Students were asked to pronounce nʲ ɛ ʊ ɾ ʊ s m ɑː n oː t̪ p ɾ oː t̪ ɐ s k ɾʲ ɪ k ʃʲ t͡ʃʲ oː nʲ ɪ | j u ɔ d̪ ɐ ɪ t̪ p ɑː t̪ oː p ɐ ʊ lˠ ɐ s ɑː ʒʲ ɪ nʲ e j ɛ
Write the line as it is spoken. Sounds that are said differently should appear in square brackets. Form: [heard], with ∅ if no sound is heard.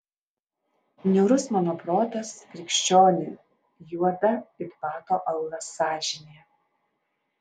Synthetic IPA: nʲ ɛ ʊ ɾ ʊ s m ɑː n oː [∅] p ɾ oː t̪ ɐ s k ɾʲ ɪ k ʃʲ t͡ʃʲ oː nʲ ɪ | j u ɔ d̪ ɐ ɪ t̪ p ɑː t̪ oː [ʔ] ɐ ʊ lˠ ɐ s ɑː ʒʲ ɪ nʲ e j ɛ